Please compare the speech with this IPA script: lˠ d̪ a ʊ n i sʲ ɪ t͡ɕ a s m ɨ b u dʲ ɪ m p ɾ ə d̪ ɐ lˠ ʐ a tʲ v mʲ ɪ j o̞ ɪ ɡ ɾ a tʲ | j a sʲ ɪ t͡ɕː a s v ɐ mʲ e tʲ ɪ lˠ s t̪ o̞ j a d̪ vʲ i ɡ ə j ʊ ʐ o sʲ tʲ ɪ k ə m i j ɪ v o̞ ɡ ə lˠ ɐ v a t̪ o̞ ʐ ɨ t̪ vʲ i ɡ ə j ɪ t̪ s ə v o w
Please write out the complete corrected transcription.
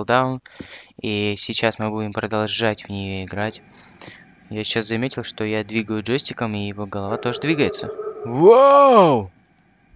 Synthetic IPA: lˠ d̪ a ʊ n i sʲ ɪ t͡ɕ a s m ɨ b u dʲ ɪ m p ɾ ə d̪ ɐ lˠ ʐ a tʲ v nʲ ɪ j o̞ ɪ ɡ ɾ a tʲ | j a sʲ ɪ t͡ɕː a s z ɐ mʲ e tʲ ɪ lˠ ʂ t̪ o̞ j a d̪ vʲ i ɡ ə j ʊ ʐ o sʲ tʲ ɪ k ə m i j ɪ v o̞ ɡ ə lˠ ɐ v a t̪ o̞ ʐ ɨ d̪ vʲ i ɡ ə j ɪ t̪ s ə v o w